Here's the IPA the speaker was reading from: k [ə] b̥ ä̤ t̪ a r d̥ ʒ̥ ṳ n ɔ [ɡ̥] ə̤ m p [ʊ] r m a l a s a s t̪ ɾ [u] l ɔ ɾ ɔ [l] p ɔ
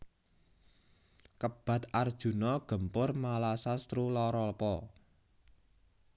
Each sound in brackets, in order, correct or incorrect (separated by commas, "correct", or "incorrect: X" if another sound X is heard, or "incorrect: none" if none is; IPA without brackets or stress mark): correct, correct, correct, correct, correct